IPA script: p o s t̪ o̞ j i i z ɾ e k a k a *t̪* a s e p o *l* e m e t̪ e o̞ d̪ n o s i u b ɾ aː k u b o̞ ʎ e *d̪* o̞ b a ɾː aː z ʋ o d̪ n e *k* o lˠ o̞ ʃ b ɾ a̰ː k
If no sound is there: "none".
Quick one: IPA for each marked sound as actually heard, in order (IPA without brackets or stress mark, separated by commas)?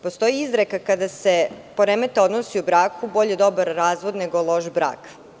d̪, ɾ, d̪, ɡ